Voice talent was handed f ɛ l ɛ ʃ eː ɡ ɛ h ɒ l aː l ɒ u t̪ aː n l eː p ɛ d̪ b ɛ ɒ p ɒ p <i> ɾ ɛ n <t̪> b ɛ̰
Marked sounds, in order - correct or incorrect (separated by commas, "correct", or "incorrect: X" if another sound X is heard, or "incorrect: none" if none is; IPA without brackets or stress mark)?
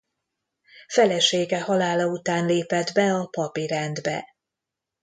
correct, incorrect: d̪